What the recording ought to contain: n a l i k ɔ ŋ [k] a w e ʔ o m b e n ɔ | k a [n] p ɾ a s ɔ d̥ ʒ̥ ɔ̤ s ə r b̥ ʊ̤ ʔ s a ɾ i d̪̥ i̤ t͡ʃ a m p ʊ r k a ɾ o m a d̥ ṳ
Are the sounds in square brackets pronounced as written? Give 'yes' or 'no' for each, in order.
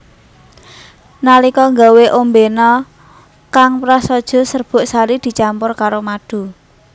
no, no

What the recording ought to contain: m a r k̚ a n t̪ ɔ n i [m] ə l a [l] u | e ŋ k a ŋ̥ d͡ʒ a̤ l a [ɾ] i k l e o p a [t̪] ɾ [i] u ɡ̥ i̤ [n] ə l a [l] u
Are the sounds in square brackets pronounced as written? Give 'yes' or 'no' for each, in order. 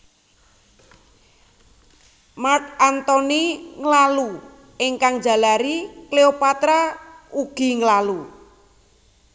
no, yes, yes, yes, no, no, yes

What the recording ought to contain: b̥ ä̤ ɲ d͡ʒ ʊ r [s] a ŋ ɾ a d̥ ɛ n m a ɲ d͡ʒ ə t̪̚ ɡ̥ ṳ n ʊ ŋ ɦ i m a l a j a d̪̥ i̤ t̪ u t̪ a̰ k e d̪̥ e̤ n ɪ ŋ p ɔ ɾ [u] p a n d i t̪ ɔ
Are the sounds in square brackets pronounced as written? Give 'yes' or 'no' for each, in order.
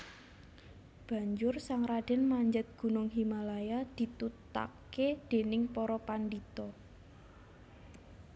yes, no

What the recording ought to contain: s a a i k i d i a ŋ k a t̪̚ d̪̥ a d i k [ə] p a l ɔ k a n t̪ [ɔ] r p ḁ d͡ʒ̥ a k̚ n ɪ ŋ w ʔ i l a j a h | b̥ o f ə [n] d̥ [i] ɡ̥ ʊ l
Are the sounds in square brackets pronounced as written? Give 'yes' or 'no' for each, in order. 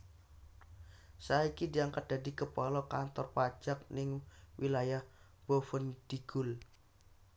yes, yes, yes, yes

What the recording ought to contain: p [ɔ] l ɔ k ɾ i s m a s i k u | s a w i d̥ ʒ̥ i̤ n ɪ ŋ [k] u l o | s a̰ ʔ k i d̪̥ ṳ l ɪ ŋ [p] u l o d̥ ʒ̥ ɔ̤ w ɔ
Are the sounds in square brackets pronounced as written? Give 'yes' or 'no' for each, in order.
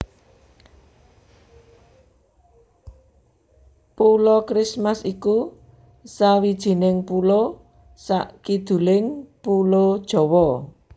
no, no, yes

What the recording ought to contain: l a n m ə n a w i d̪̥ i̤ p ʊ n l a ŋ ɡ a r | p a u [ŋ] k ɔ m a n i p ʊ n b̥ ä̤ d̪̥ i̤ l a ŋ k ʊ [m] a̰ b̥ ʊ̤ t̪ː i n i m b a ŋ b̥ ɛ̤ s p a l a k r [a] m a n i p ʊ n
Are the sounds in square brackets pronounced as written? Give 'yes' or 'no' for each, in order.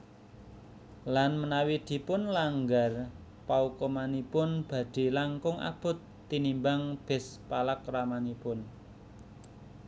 no, no, yes

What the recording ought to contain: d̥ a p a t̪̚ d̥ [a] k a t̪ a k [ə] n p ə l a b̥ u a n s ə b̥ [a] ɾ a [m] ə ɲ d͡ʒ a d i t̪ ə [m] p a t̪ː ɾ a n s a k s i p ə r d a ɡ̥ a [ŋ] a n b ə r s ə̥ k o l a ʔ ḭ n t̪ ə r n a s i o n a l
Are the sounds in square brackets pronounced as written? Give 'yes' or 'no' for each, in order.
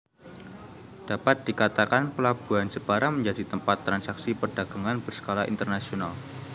no, no, yes, yes, yes, yes

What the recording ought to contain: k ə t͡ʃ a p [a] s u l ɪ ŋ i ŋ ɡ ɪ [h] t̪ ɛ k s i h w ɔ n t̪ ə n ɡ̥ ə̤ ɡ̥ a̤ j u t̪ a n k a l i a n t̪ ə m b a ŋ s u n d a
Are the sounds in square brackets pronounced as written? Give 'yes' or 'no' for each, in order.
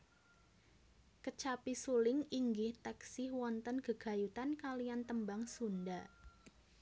no, yes

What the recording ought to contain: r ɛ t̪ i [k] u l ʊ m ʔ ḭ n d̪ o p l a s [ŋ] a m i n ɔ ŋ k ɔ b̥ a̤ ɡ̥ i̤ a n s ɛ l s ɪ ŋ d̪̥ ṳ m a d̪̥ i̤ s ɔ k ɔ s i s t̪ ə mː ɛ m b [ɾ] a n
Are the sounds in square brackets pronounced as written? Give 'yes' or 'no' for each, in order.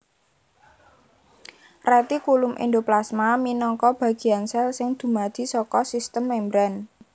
yes, no, yes

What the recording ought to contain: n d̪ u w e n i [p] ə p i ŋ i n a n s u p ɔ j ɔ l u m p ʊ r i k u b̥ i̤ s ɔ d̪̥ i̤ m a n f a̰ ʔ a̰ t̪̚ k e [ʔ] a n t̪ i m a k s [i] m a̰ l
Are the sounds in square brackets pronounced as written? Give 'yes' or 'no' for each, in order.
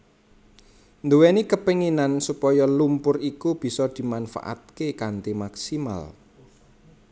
no, no, yes

